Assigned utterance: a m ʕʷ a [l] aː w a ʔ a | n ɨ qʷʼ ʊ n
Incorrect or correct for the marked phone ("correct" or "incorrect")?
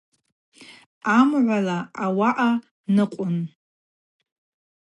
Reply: correct